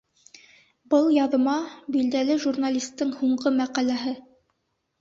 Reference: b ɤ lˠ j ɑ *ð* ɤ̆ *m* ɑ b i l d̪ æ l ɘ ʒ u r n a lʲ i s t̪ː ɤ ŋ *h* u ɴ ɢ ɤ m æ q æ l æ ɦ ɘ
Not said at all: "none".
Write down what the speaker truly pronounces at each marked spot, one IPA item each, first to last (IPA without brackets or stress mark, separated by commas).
ð, m, h